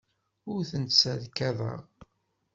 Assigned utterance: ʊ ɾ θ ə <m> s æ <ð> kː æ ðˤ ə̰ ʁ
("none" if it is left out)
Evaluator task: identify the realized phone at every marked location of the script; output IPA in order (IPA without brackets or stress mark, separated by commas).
n, ð